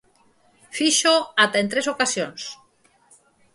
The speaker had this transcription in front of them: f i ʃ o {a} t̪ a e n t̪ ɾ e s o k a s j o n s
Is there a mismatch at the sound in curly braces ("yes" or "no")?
no